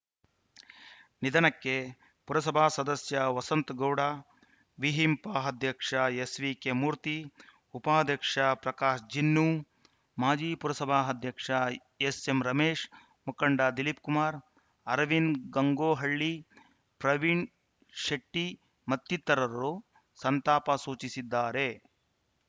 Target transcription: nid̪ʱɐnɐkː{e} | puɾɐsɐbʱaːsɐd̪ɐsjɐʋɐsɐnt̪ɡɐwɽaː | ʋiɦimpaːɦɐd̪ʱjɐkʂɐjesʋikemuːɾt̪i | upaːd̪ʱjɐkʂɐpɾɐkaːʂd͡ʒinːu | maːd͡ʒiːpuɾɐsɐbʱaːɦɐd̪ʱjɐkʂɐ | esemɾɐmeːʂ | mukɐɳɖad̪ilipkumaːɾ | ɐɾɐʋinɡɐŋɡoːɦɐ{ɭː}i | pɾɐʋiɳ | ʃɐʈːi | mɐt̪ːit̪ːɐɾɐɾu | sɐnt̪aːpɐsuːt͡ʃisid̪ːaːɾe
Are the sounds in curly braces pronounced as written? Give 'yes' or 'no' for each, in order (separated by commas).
yes, yes